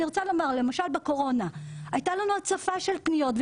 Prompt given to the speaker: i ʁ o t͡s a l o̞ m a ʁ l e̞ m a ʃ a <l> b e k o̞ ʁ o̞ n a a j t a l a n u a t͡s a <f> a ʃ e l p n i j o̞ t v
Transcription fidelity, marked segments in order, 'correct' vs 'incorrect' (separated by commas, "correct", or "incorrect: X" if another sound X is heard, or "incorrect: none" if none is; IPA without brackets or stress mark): correct, correct